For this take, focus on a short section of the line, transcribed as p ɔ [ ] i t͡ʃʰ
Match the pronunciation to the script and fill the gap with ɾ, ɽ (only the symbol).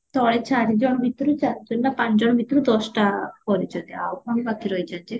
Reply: ɾ